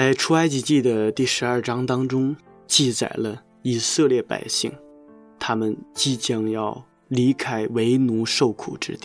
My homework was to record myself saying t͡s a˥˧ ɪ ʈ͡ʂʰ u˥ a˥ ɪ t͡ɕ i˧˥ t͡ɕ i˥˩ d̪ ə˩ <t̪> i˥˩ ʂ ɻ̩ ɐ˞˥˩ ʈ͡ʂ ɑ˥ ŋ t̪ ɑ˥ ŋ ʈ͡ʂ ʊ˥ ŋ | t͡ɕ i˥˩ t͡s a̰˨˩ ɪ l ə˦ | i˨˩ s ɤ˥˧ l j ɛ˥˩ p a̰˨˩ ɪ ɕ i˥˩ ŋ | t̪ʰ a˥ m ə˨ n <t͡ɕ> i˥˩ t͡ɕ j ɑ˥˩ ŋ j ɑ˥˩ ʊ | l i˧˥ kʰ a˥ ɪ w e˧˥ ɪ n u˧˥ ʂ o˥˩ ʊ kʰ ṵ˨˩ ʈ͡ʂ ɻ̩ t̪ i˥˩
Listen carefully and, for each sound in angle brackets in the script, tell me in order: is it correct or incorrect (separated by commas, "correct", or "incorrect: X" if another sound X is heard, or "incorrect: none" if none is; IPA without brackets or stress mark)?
correct, correct